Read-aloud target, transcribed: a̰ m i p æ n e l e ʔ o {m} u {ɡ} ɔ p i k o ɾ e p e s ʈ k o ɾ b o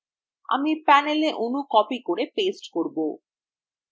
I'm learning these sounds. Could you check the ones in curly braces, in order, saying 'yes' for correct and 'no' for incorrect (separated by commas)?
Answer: no, no